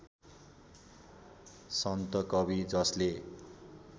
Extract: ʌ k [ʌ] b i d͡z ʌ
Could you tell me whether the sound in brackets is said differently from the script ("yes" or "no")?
no